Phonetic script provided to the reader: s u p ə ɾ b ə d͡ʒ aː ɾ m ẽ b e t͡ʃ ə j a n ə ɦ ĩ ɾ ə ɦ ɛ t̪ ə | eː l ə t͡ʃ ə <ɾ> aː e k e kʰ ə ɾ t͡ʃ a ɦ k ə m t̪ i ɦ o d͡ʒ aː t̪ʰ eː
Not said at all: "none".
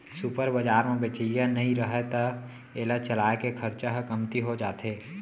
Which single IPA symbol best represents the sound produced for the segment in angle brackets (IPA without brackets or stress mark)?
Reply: l